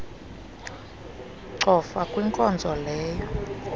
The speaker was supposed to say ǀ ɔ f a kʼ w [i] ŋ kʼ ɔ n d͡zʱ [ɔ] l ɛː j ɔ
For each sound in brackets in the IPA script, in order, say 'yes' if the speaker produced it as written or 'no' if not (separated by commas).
yes, yes